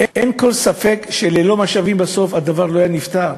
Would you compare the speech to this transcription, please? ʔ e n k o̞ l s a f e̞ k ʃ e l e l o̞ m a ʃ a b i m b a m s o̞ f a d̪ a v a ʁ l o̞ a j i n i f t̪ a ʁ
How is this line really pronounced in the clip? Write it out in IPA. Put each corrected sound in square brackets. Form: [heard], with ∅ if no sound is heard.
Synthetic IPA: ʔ e n k o̞ l s a f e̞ k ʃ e l e l o̞ m a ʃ a [v] i m b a [∅] s o̞ f a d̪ a v a ʁ l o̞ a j [a] n i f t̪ a ʁ